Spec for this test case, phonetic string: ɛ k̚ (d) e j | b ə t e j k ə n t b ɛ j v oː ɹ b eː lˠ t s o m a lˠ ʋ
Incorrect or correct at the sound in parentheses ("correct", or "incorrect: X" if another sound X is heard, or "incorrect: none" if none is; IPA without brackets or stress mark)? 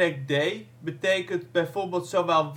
correct